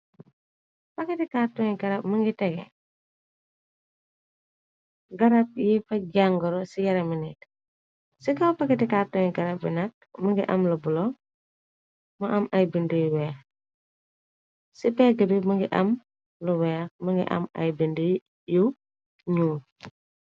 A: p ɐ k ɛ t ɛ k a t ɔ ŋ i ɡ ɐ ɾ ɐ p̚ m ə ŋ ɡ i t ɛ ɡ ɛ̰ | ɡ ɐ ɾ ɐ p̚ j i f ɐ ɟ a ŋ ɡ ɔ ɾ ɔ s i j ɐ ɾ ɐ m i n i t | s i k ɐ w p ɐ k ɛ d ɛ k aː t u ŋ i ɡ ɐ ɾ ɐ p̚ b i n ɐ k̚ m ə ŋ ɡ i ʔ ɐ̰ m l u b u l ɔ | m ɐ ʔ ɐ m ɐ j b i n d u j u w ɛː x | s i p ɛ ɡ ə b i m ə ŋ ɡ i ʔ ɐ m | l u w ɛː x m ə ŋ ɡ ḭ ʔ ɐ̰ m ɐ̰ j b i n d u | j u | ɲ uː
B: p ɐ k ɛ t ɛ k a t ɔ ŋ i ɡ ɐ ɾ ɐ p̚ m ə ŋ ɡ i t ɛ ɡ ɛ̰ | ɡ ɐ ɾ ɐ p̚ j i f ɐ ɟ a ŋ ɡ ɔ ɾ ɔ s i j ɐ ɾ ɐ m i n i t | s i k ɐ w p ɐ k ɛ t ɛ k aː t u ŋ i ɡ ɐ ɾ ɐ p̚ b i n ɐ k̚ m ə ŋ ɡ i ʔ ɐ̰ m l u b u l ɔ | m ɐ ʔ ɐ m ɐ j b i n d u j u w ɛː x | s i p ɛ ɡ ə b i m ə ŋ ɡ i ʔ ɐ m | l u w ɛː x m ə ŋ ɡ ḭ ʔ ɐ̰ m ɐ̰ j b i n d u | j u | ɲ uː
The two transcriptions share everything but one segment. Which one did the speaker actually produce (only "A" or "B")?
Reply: B